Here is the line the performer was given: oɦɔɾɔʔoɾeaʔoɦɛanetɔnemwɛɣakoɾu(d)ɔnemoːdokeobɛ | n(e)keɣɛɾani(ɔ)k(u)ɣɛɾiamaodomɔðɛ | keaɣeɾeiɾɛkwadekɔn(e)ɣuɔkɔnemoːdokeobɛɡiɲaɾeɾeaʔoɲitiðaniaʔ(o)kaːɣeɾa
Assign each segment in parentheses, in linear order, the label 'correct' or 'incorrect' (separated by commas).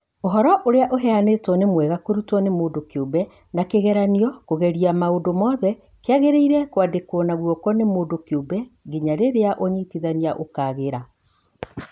incorrect, incorrect, correct, incorrect, incorrect, correct